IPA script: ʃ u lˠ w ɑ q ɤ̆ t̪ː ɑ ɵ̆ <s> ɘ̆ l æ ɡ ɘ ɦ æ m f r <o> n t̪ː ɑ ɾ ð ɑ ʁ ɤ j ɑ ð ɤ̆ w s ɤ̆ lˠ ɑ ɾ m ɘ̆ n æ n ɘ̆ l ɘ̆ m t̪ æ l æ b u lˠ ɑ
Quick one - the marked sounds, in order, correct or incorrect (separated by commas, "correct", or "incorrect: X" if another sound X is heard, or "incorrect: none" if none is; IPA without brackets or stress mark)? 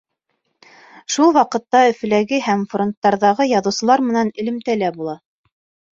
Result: incorrect: f, correct